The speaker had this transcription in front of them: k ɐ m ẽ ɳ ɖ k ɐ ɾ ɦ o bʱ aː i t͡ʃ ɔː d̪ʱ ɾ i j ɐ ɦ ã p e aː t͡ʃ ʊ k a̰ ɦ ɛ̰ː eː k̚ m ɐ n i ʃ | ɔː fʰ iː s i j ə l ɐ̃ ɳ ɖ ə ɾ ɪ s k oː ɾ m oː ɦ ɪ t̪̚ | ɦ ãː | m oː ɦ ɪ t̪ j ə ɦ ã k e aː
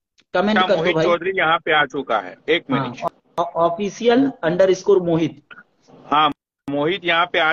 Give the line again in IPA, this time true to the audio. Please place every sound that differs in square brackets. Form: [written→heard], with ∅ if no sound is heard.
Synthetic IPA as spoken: k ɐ m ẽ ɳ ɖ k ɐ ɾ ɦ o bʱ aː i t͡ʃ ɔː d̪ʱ ɾ i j ɐ ɦ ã p e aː t͡ʃ ʊ k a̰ ɦ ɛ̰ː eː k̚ m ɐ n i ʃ | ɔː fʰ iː s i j ə l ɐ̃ ɳ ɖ ə ɾ ɪ s k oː ɾ m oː ɦ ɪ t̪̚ | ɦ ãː | m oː ɦ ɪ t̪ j [ə→ɐ] ɦ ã [k→p] e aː